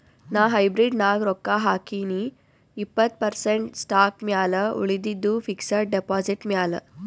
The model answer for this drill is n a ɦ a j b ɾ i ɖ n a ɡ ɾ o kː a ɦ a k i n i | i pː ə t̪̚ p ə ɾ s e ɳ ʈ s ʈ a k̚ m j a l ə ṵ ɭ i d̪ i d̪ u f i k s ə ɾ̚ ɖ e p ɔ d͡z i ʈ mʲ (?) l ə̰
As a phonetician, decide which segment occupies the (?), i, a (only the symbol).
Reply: a